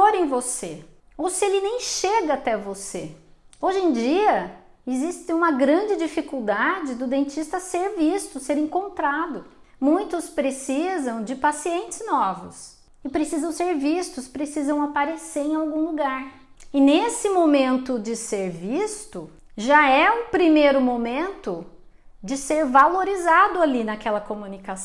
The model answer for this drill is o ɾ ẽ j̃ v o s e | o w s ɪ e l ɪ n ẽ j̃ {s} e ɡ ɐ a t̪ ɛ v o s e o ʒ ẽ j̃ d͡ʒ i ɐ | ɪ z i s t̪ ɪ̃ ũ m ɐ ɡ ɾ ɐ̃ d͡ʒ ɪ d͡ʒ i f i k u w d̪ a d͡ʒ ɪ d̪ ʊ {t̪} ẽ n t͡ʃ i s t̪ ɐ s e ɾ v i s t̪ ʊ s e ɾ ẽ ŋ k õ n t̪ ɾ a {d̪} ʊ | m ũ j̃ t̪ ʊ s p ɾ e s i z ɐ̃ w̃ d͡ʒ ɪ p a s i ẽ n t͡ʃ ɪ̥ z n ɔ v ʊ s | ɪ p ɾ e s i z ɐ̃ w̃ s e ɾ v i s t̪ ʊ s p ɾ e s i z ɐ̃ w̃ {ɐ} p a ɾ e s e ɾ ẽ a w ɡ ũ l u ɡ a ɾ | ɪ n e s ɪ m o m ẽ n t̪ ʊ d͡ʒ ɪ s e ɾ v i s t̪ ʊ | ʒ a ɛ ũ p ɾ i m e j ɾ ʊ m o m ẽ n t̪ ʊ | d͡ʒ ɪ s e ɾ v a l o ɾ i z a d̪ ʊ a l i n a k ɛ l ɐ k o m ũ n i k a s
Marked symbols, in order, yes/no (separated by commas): no, no, yes, no